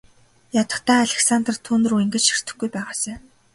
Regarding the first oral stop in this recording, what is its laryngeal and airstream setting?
plain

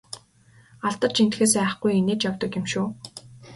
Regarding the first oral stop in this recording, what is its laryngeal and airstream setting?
plain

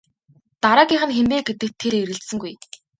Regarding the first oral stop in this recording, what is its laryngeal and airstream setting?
plain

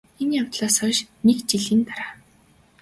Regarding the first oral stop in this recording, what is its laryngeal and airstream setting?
plain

